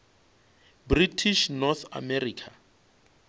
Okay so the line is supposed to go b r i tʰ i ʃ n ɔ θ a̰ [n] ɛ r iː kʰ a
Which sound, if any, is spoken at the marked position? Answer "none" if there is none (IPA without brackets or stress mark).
m